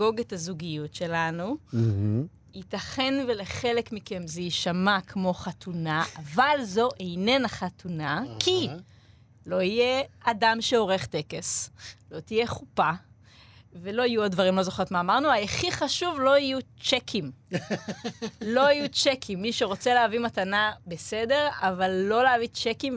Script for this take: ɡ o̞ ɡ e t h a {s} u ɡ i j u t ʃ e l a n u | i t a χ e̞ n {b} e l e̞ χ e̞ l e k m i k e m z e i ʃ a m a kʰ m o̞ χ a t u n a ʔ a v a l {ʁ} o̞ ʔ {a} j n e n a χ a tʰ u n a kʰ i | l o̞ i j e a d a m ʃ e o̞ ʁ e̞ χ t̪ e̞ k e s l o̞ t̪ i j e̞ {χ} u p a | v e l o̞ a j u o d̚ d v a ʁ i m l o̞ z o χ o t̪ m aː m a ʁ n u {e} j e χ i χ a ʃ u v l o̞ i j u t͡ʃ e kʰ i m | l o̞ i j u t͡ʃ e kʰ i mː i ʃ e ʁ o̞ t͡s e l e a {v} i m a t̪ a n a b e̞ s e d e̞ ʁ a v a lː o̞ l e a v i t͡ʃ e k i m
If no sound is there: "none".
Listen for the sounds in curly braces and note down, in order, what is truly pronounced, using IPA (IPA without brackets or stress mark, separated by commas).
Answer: z, v, z, e, χ, a, v